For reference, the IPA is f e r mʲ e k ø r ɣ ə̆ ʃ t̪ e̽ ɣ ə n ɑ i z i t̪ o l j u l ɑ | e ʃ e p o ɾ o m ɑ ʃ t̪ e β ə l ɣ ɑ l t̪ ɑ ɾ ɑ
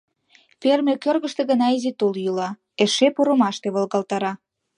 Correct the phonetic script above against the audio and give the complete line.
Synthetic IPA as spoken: f e r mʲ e k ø r ɣ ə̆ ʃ t̪ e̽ ɣ ə n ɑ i z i t̪ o l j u l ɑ | e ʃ e p o ɾ o m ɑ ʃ t̪ e β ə l ɣ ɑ l t̪ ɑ ɾ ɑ